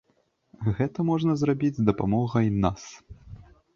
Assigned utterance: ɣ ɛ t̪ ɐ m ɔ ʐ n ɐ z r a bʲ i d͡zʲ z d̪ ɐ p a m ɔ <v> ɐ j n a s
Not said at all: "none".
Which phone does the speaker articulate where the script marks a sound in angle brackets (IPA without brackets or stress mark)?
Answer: ɣ